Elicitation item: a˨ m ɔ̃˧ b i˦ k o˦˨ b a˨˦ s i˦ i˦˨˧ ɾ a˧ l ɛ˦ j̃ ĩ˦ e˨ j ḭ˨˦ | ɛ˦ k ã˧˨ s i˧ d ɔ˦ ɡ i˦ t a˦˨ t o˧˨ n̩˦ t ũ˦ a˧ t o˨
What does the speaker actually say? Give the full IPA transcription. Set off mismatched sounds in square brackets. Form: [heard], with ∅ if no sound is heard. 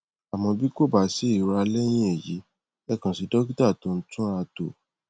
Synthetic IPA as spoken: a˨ m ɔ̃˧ b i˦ k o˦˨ b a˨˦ s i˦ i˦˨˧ ɾ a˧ l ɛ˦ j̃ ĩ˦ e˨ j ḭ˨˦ | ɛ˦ k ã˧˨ s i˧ d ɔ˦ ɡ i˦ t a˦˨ t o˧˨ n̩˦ t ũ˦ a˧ t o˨